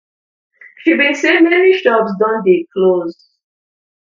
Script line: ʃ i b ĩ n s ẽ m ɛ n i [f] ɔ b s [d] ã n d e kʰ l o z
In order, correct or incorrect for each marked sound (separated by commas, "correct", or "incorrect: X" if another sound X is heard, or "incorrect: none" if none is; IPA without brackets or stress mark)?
incorrect: ʃ, correct